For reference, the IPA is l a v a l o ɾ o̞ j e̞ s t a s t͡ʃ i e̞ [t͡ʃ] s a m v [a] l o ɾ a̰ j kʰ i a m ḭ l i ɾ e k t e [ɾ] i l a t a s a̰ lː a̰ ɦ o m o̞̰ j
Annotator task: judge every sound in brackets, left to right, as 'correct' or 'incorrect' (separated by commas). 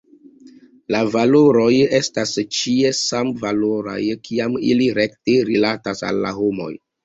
incorrect, correct, correct